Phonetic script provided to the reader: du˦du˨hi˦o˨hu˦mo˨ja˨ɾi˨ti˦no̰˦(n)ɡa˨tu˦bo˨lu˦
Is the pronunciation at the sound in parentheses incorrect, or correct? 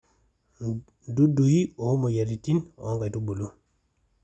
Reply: incorrect